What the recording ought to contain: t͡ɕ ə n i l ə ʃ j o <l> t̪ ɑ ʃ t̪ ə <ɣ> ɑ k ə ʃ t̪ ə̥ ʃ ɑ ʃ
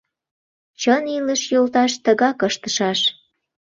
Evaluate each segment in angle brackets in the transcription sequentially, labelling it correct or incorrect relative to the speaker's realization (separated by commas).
correct, correct